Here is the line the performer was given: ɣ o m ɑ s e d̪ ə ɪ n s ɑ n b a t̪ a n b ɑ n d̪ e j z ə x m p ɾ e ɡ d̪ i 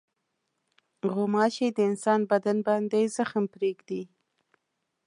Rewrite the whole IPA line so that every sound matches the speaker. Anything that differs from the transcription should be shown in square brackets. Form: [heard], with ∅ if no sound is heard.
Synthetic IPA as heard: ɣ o m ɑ [ʃ] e d̪ ə ɪ n s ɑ n b a [d̪] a n b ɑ n d̪ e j z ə x m p ɾ e ɡ d̪ i